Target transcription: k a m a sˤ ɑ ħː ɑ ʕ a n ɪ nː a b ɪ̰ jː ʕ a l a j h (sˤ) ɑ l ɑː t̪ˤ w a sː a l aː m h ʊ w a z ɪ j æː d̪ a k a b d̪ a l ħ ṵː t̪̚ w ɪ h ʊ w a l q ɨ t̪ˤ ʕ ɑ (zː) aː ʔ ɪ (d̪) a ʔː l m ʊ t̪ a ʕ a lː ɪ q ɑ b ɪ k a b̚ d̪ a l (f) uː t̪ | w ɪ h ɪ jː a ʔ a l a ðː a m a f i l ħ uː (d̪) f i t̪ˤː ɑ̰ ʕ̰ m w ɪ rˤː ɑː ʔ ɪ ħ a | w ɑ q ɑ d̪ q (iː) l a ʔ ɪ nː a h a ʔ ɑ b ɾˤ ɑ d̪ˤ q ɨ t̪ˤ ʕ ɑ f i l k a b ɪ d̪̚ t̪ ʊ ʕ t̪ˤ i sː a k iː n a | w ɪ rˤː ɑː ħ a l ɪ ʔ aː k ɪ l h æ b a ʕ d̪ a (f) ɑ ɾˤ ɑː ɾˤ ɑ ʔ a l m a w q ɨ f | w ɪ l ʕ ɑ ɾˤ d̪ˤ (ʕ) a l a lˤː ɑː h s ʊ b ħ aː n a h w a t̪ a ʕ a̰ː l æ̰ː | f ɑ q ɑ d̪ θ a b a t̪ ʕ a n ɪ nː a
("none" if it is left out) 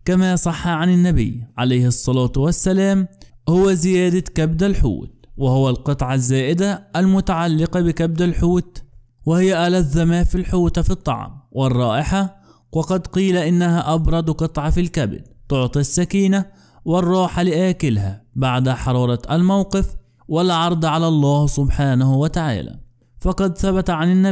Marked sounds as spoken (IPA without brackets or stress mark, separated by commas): sˤː, zː, d̪, ħ, t̪, iː, ħ, ʕ